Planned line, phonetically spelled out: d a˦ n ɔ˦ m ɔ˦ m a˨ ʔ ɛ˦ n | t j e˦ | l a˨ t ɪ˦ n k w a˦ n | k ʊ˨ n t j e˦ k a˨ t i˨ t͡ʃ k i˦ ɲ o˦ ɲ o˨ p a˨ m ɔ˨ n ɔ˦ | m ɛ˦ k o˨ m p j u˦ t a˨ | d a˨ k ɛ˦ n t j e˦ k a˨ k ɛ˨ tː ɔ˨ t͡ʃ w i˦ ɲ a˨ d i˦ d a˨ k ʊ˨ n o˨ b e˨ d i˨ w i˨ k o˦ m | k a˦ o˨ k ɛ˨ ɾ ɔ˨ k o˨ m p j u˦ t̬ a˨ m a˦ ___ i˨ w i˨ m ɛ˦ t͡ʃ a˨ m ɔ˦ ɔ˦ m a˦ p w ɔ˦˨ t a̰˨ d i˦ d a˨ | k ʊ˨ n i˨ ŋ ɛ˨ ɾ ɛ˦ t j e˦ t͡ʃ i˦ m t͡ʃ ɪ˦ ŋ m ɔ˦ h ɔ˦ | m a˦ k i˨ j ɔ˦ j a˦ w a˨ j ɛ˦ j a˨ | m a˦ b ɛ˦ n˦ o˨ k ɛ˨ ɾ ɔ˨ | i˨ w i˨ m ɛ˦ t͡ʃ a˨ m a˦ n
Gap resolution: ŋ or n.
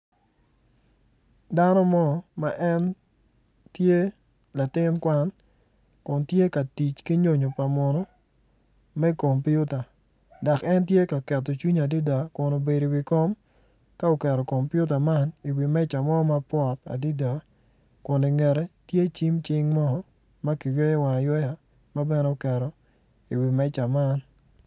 n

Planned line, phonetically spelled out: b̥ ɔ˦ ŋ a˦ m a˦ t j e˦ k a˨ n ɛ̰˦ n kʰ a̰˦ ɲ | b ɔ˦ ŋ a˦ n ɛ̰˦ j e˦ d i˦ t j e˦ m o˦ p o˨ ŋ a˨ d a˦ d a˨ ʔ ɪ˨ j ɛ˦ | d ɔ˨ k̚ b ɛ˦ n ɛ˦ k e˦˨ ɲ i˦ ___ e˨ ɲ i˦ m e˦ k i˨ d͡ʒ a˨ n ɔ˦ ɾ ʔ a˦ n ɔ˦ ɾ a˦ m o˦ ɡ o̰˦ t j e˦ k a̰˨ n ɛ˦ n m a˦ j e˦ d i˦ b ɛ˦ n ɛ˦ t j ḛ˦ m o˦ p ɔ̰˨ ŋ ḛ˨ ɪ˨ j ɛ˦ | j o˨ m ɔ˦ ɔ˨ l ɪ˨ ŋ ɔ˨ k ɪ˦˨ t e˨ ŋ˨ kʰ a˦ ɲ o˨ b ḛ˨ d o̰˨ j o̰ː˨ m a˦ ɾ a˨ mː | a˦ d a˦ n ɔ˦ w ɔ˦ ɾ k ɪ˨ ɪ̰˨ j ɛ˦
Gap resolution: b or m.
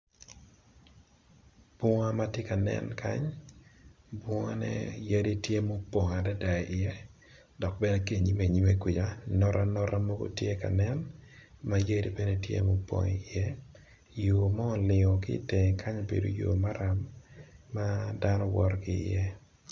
m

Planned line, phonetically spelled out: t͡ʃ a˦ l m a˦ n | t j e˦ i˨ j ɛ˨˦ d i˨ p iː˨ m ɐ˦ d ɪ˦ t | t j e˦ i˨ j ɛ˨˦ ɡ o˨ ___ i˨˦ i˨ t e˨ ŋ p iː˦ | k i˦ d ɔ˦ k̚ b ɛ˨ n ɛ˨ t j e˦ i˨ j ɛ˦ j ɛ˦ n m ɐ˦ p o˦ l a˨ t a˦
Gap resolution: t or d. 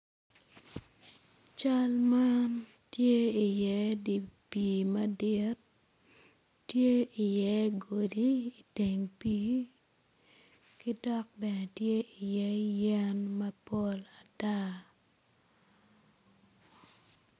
d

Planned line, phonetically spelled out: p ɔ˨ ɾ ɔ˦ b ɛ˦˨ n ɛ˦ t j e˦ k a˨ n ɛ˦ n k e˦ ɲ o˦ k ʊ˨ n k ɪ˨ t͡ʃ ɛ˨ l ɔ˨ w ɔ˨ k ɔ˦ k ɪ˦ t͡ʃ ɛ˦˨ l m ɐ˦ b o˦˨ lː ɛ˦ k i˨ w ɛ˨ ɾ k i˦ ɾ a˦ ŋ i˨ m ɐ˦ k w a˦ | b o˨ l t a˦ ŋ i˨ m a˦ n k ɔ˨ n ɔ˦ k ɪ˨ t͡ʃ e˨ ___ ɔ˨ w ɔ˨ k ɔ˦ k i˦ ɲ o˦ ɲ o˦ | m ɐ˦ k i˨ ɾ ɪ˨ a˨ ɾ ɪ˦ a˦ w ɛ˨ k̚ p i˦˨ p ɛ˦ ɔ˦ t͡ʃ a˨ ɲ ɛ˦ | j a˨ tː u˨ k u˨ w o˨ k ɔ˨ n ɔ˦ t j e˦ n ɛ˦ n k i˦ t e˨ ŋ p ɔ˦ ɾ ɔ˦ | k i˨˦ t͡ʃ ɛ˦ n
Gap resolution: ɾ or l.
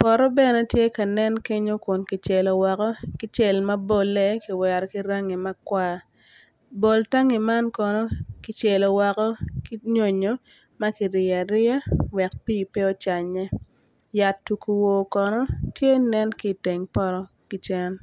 l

